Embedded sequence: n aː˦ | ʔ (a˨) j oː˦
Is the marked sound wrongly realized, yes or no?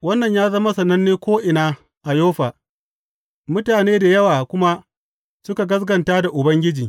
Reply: no